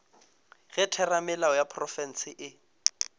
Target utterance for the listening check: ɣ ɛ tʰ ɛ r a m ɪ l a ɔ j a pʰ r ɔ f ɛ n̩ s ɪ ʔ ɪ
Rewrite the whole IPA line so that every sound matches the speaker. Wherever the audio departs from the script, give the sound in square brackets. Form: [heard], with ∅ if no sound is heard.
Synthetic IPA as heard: ɣ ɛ tʰ ɛ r a m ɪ l a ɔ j a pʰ r ɔ f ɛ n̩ s ɪ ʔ ɪ